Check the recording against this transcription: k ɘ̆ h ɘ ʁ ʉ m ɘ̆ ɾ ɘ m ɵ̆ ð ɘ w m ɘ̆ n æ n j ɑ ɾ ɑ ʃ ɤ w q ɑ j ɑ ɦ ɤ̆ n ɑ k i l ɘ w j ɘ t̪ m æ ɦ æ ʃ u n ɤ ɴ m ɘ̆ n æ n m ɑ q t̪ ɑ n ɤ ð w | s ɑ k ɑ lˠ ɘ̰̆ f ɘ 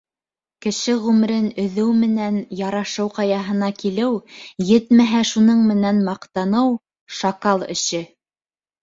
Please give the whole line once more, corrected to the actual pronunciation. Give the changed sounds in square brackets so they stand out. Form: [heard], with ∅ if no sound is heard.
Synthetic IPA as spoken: k ɘ̆ [ʃ] ɘ ʁ ʉ m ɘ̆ ɾ ɘ [n] ɵ̆ ð ɘ w m ɘ̆ n æ n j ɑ ɾ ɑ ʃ ɤ w q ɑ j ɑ ɦ ɤ̆ n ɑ k i l ɘ w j ɘ t̪ m æ ɦ æ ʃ u n ɤ ɴ m ɘ̆ n æ n m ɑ q t̪ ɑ n ɤ [∅] w | [ʃ] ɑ k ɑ lˠ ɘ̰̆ [ʃ] ɘ